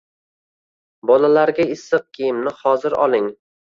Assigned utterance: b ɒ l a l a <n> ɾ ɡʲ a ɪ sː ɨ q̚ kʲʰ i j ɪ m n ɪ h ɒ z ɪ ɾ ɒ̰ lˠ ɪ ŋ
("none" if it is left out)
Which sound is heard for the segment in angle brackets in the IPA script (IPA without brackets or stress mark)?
none